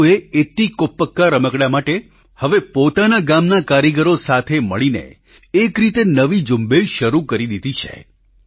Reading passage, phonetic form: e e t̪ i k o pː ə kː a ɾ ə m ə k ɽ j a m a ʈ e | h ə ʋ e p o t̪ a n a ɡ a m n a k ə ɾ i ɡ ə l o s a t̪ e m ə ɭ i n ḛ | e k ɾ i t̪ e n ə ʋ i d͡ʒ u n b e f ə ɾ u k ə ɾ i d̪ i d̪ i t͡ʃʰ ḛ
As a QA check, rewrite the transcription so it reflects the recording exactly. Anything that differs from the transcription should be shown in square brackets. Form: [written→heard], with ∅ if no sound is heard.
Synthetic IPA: e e t̪ i k o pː ə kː a ɾ ə m ə k ɽ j a m a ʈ e | h ə ʋ e p o t̪ a n a ɡ a m n a k [ə→a] ɾ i ɡ ə [l→ɾ] o s a [t̪→t̪ʰ] e m ə ɭ i n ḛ | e k ɾ i t̪ e n ə ʋ i d͡ʒ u [n→m] b e [f→ʃ] ə ɾ u k ə ɾ i d̪ i d̪ i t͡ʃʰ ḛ